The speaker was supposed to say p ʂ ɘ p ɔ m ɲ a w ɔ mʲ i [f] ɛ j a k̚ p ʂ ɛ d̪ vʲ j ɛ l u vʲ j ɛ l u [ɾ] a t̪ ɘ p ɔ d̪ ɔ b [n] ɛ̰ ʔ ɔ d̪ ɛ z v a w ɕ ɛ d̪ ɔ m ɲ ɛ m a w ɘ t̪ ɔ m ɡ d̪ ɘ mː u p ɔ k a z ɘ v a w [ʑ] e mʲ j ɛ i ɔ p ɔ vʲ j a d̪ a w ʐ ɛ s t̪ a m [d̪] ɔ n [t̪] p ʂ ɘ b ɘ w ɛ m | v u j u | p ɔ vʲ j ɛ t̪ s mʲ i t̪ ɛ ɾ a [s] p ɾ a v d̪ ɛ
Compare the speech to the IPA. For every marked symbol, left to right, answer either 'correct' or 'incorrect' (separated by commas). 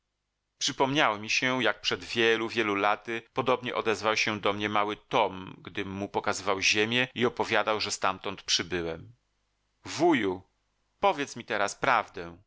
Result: incorrect, incorrect, incorrect, correct, incorrect, correct, correct